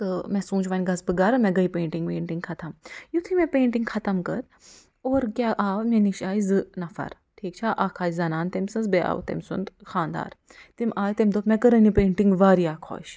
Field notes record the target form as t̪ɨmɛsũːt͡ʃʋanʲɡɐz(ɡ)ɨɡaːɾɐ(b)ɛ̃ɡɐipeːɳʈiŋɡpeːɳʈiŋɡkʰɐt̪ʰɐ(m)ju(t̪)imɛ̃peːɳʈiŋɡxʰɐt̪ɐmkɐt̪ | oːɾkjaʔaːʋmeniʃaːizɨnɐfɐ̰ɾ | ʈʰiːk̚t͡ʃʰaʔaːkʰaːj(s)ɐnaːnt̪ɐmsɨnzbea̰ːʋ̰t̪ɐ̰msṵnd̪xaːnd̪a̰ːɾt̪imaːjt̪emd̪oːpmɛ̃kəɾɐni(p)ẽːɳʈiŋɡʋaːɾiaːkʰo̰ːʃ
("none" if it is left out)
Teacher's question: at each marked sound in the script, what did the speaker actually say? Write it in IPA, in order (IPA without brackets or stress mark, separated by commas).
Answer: b, m, m, t̪ʰ, z, p